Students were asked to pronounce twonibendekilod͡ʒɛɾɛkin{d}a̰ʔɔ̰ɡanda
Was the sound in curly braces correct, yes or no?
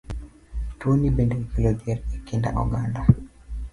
yes